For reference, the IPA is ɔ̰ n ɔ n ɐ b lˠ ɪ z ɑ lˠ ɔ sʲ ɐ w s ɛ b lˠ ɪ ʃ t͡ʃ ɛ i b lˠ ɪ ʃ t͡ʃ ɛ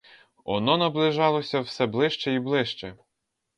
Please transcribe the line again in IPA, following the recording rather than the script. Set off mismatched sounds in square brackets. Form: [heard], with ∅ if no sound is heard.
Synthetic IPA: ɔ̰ n ɔ n ɐ b lˠ ɪ [ʒ] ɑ lˠ ɔ sʲ ɐ w s ɛ b lˠ ɪ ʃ t͡ʃ ɛ i b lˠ ɪ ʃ t͡ʃ ɛ

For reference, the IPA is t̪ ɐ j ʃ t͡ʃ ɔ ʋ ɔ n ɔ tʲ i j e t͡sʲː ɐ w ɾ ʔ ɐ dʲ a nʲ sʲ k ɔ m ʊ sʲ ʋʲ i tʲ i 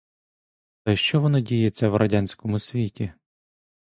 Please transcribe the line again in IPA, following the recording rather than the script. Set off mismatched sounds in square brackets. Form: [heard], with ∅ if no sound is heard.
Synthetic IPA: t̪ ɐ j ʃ t͡ʃ ɔ ʋ ɔ n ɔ [dʲ] i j e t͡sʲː ɐ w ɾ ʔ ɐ dʲ a nʲ sʲ k ɔ m ʊ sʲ ʋʲ i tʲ i

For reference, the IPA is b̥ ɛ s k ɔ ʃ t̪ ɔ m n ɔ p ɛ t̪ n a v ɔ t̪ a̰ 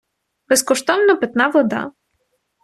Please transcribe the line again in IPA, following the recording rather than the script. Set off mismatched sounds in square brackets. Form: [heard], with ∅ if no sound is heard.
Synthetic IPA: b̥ ɛ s k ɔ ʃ t̪ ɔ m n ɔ p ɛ t̪ n a v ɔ [d̪] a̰

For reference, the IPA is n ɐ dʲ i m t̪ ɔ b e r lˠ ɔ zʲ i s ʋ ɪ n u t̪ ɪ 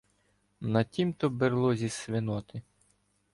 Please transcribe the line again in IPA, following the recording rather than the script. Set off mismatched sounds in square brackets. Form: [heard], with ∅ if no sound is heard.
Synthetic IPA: n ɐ [tʲ] i m t̪ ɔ b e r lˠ ɔ zʲ i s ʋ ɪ n [ɔ] t̪ ɪ

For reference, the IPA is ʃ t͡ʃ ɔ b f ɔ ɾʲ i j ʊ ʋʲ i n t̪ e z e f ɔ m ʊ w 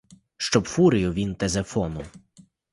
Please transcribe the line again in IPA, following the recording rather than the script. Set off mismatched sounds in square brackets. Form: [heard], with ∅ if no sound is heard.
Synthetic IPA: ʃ t͡ʃ ɔ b f [u] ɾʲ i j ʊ ʋʲ i n t̪ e z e f ɔ [n] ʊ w

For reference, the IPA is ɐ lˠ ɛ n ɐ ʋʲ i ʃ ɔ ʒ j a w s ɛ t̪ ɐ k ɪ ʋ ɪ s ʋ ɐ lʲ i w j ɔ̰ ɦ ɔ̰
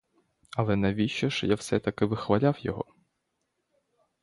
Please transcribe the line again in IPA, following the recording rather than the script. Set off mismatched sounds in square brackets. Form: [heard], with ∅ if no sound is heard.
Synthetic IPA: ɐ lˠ ɛ n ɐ ʋʲ i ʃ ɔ [ʃ] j a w s ɛ t̪ ɐ k ɪ ʋ ɪ [x] ʋ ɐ lʲ [a] w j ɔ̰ ɦ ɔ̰

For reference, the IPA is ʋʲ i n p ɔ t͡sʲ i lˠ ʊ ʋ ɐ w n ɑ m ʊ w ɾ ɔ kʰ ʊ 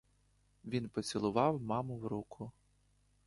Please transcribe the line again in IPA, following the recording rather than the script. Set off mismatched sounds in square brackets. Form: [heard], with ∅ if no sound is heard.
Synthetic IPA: ʋʲ i n p ɔ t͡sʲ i lˠ ʊ ʋ [ɑ] w [m] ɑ m ʊ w ɾ [u] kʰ ʊ

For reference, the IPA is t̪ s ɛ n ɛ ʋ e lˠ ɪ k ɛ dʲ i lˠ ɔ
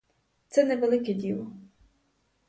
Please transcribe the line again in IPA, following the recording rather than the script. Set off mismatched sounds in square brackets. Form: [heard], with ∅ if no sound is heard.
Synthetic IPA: t̪ s ɛ n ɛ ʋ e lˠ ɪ k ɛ dʲ i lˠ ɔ

